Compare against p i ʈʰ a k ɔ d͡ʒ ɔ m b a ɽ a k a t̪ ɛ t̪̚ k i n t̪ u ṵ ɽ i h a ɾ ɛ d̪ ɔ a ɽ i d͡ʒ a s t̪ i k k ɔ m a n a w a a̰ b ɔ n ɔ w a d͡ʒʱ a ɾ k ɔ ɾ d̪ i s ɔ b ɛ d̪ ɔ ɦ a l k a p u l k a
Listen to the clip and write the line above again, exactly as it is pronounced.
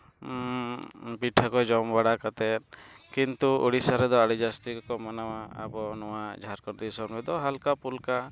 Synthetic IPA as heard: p i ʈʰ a k ɔ d͡ʒ ɔ m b a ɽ a k a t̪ ɛ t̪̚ k i n t̪ u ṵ ɽ i s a ɾ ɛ d̪ ɔ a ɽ i d͡ʒ a s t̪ i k k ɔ m a n a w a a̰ b ɔ n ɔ w a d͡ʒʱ a ɾ k ɔ ɾ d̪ i s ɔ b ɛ d̪ ɔ ɦ a l k a p u l k a

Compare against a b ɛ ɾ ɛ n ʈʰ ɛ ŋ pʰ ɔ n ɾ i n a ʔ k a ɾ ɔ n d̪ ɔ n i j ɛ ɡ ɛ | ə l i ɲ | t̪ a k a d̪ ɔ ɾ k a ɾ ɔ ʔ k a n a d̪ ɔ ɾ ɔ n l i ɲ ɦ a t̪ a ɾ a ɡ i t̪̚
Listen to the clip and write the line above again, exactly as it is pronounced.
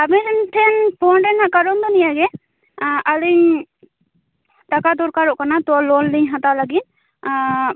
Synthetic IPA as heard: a b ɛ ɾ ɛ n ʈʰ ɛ n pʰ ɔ n ɾ ɛ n a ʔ k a ɾ ɔ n d̪ ɔ n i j a ɡ ɛ | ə l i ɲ | t̪ a k a d̪ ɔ ɾ k a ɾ ɔ ʔ k a n a t̪ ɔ l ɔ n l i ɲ ɦ a t̪ a l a ɡ i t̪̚

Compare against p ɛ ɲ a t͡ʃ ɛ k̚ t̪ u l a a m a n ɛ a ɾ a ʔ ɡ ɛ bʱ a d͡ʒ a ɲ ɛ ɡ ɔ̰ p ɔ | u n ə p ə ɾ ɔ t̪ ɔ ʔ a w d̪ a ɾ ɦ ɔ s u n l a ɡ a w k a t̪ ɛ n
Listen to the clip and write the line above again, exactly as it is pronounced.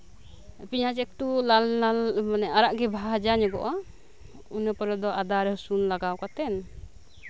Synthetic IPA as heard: p i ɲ a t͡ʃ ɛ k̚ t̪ u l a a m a n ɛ a ɾ a ʔ ɡ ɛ bʱ a d͡ʒ a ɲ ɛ ɡ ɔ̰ ʔ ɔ | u n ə p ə ɾ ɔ d̪ ɔ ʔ a d̪ a ɾ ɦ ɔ s u n l a ɡ a w k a t̪ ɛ n

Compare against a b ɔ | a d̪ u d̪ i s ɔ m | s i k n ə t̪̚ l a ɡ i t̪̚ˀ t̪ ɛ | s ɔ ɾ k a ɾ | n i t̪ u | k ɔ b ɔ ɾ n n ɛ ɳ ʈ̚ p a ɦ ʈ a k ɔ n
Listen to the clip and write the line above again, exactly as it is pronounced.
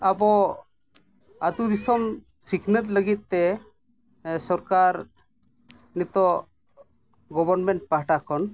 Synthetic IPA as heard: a b ɔ | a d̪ u d̪ i s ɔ m | s i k n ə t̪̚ l ə ɡ i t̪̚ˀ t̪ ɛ | s ɔ ɾ k a ɾ | n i t̪ ɔ | ɡ ɔ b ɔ ɾ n m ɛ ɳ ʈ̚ p a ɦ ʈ a k ɔ n

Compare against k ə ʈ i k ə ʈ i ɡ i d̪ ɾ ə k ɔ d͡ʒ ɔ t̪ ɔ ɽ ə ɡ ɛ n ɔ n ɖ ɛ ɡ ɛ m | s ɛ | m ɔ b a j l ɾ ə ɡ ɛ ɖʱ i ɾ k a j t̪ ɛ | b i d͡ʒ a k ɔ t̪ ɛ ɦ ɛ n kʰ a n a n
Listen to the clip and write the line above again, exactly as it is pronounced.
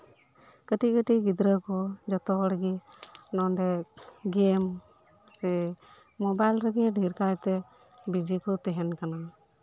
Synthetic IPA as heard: k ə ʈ i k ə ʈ i ɡ i d̪ ɾ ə k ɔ d͡ʒ ɔ t̪ ɔ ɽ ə ɡ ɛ n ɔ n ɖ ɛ ɡ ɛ m | s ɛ | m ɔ b a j l ɾ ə ɡ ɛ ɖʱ i ɾ k a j t̪ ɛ | b i d͡ʒ i k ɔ t̪ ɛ ɦ ɛ n k a n a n

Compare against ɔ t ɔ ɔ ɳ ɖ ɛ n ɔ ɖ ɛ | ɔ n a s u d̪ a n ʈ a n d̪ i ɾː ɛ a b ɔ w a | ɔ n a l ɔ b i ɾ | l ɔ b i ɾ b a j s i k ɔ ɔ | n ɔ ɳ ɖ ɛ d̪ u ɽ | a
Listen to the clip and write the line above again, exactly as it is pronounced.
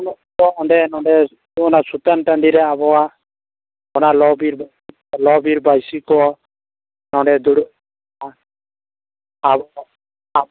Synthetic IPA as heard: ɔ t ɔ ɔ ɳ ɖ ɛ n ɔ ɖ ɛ | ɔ n a s u t̪ a n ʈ a n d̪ i ɾ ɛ a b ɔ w a | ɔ n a l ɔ b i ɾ | l ɔ b i ɾ b a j s i k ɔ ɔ | n ɔ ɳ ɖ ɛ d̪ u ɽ | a

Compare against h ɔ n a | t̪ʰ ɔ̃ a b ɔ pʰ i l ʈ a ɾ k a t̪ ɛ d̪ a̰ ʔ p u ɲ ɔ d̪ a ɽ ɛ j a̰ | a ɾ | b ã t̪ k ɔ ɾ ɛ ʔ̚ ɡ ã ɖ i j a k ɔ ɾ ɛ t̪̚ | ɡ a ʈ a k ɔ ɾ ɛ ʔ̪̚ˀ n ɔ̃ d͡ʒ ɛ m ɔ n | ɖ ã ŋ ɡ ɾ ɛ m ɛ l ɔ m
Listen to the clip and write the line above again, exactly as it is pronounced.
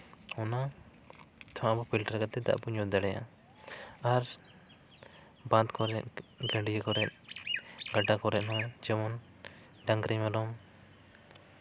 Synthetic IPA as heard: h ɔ n a | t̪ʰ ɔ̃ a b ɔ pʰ i l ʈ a ɾ k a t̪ ɛ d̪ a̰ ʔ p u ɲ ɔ d̪ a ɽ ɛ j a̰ | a ɾ | b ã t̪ k ɔ ɾ ɛ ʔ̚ ɡ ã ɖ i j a k ɔ ɾ ɛ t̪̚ | ɡ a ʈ a k ɔ ɾ ɛ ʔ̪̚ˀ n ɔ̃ d͡ʒ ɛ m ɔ n | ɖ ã ŋ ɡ ɾ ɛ m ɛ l ɔ m

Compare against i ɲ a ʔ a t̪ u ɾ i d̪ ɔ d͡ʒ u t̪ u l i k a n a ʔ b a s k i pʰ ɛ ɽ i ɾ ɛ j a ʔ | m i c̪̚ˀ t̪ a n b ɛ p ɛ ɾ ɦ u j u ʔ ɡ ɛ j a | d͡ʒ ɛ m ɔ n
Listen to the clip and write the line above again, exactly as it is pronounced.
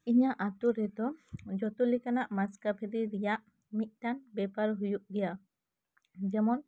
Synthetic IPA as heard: i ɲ a ʔ a t̪ u ɾ ɛ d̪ ɔ d͡ʒ ɔ t̪ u l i k a n a ʔ m a s k a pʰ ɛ ɾ i ɾ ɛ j a ʔ | m i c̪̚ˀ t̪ a n b ɛ p a ɾ ɦ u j u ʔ ɡ ɛ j a | d͡ʒ ɛ m ɔ n

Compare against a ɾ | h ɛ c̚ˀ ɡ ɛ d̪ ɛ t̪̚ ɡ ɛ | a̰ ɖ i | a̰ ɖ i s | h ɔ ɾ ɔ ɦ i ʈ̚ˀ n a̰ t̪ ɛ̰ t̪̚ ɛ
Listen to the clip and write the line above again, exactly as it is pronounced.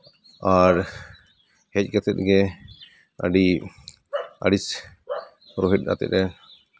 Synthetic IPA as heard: a ɾ | h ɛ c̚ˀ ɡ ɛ t̪ ɛ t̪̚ ɡ ɛ | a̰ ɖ i | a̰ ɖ i s | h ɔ ɾ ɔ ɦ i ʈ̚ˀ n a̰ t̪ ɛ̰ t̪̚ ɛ

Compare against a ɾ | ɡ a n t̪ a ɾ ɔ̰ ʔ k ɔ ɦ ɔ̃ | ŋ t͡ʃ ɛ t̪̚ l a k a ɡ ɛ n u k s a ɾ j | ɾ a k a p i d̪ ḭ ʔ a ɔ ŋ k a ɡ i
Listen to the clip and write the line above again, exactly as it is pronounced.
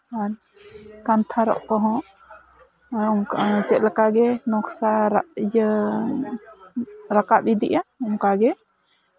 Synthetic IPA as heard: a ɾ | k a n t̪ʰ a ɾ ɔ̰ ʔ k ɔ ɦ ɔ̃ | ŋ t͡ʃ ɛ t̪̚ l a k a ɡ ɛ n ɔ k s a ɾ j | ɾ a k a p i d̪ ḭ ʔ a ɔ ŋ k a ɡ ɛ

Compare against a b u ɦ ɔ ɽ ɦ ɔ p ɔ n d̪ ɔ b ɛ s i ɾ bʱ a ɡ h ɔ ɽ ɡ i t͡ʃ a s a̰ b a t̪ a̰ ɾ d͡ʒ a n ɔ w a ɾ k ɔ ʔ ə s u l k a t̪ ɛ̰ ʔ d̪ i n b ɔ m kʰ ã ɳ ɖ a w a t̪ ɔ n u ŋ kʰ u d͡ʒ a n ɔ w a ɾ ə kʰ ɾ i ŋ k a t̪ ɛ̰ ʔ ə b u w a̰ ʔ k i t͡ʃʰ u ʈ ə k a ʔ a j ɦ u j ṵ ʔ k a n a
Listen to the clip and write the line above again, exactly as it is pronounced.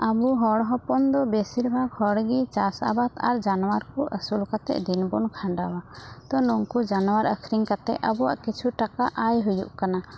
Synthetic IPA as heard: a b u ɦ ɔ ɽ ɦ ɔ p ɔ n d̪ ɔ b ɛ s i ɾ bʱ a ɡ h ɔ ɽ ɡ i t͡ʃ a s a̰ b a t̪ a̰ ɾ d͡ʒ a n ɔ w a ɾ k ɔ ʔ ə s u l k a t̪ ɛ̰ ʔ d̪ i n b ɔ n kʰ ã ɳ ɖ a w a t̪ ɔ n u ŋ k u d͡ʒ a n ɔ w a ɾ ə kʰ ɾ i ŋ k a t̪ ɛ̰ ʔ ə b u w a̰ ʔ k i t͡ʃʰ u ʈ a k a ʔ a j ɦ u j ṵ ʔ k a n a

